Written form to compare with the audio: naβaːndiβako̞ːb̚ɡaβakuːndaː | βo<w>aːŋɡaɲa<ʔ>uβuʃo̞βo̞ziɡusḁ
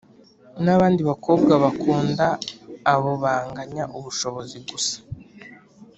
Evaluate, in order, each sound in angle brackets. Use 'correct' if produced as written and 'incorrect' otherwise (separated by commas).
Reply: incorrect, correct